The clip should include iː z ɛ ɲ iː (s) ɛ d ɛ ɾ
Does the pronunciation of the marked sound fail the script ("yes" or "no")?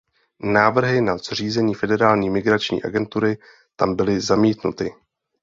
yes